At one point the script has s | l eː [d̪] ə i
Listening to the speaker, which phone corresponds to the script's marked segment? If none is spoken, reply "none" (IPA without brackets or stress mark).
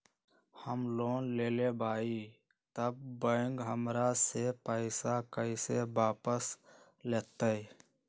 t̪